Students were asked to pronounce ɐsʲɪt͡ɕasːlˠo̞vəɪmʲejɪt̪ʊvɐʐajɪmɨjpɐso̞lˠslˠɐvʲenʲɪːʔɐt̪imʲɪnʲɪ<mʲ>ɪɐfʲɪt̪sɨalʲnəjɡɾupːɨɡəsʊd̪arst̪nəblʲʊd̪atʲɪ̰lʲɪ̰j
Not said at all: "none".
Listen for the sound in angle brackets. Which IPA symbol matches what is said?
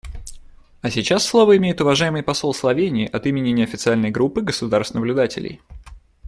nʲ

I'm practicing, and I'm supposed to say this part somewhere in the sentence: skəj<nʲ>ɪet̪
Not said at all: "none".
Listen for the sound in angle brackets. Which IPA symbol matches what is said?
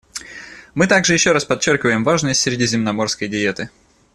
dʲ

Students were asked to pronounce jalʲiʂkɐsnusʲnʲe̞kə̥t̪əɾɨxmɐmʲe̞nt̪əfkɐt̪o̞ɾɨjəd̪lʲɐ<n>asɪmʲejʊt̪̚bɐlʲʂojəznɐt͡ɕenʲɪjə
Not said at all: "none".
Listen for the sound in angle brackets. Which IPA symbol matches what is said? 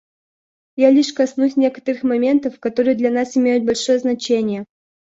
n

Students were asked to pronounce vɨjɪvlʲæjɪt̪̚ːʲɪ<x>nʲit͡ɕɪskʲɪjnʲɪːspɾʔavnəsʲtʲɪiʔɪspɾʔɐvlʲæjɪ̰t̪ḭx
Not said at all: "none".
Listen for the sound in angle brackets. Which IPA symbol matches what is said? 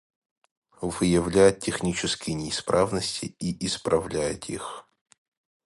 x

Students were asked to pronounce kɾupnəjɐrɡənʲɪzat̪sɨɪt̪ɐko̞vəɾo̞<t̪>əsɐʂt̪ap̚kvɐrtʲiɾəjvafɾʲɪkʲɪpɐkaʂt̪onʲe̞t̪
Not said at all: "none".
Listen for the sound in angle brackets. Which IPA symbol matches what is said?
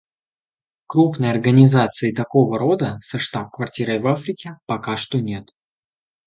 d̪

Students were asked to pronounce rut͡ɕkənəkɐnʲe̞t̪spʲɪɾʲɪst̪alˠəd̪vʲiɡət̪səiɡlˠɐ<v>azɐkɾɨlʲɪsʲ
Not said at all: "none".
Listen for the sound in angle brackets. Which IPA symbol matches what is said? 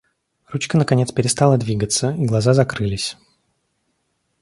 z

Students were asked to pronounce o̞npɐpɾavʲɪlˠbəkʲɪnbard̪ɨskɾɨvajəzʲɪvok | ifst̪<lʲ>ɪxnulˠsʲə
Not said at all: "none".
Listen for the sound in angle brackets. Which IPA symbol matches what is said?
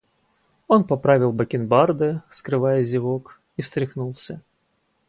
ɾʲ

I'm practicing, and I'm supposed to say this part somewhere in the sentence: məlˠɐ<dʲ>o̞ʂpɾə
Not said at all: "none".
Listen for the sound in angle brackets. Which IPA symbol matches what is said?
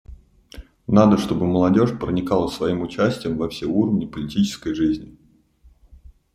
dʲ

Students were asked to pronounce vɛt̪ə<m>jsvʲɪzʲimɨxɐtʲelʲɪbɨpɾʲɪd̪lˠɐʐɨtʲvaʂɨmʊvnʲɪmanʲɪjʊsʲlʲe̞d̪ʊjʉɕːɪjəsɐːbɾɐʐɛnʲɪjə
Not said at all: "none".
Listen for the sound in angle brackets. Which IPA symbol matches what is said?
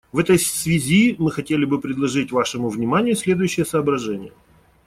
none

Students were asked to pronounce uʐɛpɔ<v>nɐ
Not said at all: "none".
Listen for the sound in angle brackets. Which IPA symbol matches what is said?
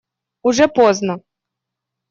z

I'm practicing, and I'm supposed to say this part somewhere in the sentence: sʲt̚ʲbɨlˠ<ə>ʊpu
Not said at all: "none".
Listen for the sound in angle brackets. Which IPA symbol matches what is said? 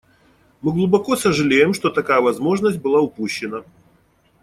a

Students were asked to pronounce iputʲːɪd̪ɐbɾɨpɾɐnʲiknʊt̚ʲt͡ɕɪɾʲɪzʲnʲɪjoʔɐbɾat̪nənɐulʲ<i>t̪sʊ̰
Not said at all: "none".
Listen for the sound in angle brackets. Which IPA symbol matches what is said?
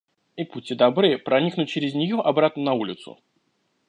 ɪ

